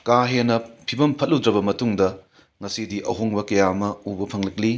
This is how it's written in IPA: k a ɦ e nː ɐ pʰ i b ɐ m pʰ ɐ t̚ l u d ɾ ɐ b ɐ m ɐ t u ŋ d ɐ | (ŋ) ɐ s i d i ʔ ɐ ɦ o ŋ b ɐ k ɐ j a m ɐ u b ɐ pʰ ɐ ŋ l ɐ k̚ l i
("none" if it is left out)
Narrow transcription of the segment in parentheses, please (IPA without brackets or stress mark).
ŋ